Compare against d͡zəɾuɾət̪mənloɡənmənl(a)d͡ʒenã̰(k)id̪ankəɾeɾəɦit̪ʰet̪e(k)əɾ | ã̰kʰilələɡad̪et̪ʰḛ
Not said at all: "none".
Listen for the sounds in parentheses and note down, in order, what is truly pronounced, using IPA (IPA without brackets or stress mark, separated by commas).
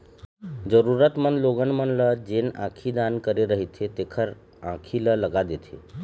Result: ə, kʰ, kʰ